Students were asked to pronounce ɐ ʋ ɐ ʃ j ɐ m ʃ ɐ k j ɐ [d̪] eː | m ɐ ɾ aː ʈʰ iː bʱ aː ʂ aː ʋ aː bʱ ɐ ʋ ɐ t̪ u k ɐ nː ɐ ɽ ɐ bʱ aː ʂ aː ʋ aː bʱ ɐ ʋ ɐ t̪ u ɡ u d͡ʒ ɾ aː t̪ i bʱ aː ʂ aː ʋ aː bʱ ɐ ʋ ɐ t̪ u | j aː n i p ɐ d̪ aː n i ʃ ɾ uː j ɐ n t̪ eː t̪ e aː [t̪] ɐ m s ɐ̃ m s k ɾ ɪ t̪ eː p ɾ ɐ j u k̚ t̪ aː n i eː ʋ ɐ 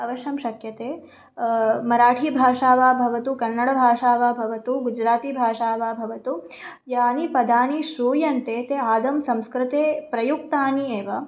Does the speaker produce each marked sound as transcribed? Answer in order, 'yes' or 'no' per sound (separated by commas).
no, no